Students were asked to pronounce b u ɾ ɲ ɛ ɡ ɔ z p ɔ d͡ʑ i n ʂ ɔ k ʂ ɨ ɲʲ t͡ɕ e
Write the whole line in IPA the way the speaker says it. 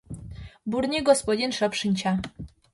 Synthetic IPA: b u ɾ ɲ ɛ ɡ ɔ s p ɔ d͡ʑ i n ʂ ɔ p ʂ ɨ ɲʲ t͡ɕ a